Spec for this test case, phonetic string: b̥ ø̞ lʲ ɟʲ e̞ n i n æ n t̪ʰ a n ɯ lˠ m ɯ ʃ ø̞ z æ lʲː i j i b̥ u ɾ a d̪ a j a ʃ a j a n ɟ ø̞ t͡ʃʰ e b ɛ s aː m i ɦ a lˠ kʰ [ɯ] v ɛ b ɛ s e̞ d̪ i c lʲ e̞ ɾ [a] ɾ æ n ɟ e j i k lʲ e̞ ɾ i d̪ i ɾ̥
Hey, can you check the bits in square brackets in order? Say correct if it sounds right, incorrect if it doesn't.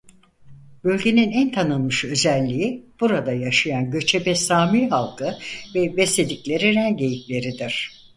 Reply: correct, incorrect

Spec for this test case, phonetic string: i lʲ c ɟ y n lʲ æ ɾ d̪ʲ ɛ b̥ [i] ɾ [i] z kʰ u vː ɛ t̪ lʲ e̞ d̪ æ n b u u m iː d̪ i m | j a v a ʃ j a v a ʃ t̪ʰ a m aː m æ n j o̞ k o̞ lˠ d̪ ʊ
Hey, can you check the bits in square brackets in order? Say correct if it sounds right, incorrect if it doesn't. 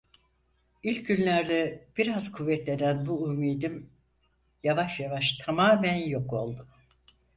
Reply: correct, incorrect

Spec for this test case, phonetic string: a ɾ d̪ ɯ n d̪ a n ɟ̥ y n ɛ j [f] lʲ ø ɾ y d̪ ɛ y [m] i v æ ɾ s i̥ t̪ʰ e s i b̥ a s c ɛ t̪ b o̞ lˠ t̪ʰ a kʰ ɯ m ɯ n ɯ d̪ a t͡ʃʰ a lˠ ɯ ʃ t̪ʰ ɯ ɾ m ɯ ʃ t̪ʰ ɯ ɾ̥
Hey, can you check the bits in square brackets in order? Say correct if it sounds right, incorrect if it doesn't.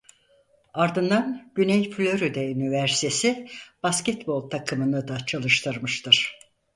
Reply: correct, incorrect

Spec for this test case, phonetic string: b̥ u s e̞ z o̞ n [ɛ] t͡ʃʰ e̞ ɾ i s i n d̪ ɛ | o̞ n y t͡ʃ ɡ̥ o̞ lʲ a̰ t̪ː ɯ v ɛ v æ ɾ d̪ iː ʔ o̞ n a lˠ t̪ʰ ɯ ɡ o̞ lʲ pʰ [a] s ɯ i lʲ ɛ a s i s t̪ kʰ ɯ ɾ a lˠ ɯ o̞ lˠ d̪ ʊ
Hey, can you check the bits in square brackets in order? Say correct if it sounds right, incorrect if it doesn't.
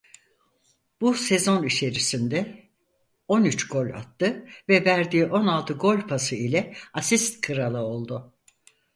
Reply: incorrect, correct

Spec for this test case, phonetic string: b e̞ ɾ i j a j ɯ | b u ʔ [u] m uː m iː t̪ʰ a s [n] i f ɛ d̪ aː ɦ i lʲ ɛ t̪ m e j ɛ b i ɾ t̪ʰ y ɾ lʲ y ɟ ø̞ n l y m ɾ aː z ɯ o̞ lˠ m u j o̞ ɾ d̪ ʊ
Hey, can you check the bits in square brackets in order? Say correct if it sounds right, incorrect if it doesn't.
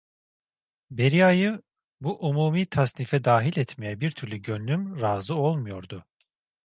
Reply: correct, correct

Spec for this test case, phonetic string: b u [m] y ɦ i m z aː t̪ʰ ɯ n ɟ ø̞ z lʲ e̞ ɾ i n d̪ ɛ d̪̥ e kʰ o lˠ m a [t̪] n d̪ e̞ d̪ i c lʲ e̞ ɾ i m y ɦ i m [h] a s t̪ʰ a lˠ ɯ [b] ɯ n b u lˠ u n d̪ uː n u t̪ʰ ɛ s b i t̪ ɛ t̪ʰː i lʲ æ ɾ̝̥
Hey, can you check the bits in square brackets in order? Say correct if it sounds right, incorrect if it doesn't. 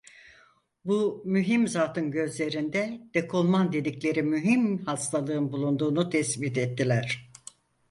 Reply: correct, incorrect, correct, incorrect

